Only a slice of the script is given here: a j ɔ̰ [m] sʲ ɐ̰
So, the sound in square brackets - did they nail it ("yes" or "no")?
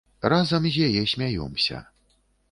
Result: yes